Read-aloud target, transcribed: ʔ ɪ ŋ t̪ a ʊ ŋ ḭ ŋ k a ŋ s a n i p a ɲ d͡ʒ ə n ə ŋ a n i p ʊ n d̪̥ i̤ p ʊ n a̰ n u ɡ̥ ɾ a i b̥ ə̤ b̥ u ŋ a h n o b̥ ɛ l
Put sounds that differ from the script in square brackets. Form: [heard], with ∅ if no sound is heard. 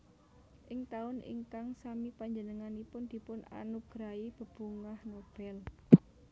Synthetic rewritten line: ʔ ɪ ŋ t̪ a ʊ [n] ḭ ŋ k a ŋ s a [m] i p a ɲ d͡ʒ ə n ə ŋ a n i p ʊ n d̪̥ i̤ p ʊ n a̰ n u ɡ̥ ɾ a i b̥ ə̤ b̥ u ŋ a h n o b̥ ɛ l